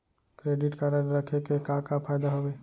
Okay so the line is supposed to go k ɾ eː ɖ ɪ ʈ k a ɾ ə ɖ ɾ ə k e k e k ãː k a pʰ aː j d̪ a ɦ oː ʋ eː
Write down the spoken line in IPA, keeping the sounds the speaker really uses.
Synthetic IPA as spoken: k ɾ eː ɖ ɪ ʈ k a ɾ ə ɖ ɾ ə kʰ e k e k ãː k a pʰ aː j d̪ a ɦ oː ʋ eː

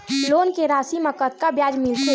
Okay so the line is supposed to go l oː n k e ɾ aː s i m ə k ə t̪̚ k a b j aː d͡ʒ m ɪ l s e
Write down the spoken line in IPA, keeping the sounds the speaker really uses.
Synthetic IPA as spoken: l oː n k e ɾ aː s i m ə k ə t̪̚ k a b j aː d͡ʒ m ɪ l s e

